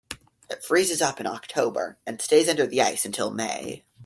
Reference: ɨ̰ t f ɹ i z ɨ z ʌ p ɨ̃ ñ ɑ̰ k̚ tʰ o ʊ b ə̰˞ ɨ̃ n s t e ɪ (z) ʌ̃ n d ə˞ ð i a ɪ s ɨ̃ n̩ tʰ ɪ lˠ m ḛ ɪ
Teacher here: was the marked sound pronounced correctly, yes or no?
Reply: yes